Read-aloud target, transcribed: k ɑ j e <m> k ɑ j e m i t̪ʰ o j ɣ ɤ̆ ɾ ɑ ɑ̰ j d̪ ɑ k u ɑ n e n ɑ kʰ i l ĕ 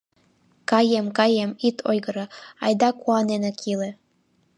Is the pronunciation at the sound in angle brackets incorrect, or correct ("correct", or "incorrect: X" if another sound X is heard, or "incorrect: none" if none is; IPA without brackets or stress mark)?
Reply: correct